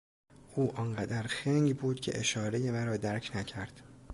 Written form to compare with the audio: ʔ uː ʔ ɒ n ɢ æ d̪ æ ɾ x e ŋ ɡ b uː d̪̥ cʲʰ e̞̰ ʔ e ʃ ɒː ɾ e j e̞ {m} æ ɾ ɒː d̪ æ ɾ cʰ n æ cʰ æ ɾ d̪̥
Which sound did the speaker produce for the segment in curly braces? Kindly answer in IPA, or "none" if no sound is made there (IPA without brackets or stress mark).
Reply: m